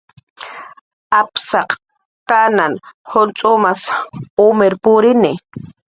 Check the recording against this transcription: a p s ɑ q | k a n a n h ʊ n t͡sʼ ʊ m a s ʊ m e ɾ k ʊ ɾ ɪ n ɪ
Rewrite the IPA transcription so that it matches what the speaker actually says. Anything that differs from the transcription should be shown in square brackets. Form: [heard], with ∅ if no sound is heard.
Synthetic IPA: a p s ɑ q | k a n a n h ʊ n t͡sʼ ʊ m a s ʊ m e ɾ [p] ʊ ɾ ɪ n ɪ